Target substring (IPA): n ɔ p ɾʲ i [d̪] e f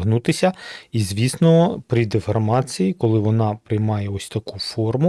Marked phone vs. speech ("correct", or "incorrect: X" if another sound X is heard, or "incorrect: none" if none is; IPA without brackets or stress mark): correct